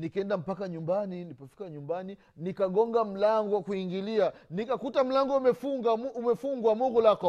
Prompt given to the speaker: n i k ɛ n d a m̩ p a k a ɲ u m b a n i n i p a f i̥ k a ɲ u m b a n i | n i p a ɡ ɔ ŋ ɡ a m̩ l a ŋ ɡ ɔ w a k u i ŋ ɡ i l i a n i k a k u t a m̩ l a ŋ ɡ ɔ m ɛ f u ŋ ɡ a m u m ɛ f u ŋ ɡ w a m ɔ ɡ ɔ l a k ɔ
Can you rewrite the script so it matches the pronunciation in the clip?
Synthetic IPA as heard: n i k ɛ n d a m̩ p a k a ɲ u m b a n i n i p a f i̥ k a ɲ u m b a n i | n i k a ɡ ɔ ŋ ɡ a m̩ l a ŋ ɡ ɔ w a k u i ŋ ɡ i l i a n i k a k u t a m̩ l a ŋ ɡ ɔ m ɛ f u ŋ ɡ a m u m ɛ f u ŋ ɡ w a m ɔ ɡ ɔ l a k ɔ